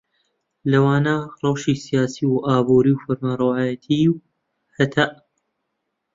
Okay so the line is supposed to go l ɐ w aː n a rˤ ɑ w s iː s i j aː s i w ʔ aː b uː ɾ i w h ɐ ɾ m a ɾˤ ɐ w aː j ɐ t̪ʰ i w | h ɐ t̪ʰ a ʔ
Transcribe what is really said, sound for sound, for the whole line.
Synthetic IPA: l ɐ w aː n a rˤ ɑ w ʃ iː s i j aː s i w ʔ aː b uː ɾ i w f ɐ ɾ m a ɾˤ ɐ w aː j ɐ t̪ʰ i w | h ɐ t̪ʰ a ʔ